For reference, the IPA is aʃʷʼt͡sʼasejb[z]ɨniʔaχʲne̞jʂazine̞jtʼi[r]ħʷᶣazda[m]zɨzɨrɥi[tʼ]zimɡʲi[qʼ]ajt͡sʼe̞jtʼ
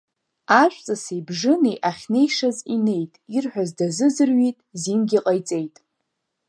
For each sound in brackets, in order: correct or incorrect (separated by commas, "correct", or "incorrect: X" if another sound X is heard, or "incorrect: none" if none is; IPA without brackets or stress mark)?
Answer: incorrect: ʐ, correct, incorrect: none, correct, correct